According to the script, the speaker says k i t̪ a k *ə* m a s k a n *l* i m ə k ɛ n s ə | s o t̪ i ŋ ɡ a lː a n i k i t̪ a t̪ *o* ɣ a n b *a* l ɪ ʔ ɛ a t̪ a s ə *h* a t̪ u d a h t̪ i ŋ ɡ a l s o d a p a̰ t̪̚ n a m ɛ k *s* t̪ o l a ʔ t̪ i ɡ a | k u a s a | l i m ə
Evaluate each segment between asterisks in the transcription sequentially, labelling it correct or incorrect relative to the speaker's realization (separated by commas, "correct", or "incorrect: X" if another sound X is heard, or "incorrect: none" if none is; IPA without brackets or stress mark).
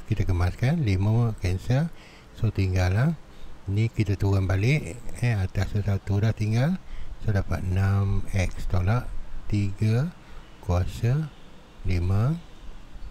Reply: correct, correct, incorrect: u, correct, incorrect: s, correct